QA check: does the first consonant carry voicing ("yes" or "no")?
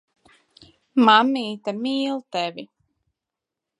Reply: yes